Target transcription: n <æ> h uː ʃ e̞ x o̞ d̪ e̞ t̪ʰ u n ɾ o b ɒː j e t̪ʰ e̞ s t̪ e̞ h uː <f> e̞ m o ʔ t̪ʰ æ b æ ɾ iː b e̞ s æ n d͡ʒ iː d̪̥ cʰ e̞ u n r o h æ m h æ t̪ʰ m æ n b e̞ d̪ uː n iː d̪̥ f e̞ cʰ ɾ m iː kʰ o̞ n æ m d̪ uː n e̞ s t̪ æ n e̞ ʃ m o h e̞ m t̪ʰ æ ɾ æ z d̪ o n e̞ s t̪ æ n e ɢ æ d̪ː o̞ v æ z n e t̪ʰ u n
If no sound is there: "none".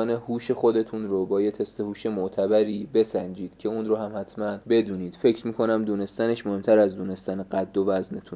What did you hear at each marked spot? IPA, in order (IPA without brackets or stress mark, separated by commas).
e, ʃ